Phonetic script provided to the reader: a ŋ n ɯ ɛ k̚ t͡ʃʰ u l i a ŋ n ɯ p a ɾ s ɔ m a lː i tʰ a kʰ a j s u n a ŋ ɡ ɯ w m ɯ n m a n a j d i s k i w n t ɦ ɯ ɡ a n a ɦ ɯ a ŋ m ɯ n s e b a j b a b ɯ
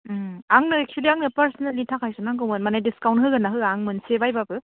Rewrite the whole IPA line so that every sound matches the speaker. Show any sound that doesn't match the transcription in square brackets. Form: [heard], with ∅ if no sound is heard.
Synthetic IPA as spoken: a ŋ n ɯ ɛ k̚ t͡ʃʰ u l i a ŋ n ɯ p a ɾ s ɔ [n] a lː i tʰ a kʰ a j s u n a ŋ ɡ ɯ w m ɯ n m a n a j d i s k [a] w n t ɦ ɯ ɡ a n a ɦ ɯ a ŋ m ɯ n s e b a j b a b ɯ